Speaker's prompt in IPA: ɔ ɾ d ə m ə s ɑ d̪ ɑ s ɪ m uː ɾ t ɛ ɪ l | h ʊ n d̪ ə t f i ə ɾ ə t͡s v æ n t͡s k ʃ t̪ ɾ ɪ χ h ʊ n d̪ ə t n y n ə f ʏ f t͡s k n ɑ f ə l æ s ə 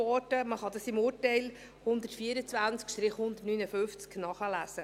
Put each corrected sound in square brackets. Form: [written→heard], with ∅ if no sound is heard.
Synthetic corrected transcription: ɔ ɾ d ə m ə [s→χ] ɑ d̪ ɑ s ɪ m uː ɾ t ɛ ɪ l | h ʊ n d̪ ə t f i ə ɾ ə t͡s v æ n t͡s k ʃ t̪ ɾ ɪ χ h ʊ n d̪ ə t n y n ə f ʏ f t͡s k n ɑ [f→χ] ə l æ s ə